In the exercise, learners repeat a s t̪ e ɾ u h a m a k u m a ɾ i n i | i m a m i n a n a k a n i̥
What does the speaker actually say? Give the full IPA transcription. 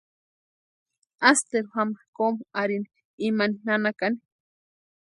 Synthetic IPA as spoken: a s t̪ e ɾ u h a m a k o m a ɾ i n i | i m a n i n a n a k a n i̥